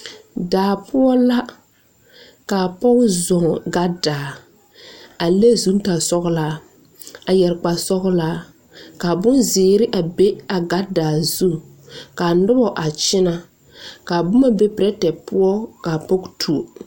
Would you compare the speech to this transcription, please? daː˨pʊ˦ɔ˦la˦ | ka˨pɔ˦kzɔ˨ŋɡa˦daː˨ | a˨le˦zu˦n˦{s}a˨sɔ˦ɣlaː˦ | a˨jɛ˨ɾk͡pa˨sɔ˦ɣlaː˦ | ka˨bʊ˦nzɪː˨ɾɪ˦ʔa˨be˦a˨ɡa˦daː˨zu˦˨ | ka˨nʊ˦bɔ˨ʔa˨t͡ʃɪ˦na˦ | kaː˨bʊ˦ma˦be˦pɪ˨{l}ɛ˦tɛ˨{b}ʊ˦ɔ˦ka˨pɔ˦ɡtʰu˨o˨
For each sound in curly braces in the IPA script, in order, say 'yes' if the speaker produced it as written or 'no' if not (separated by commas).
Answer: no, no, no